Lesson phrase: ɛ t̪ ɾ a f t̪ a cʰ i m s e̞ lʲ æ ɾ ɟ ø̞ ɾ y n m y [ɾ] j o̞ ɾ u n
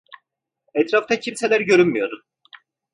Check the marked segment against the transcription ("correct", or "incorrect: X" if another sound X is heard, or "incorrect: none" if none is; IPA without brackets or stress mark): incorrect: none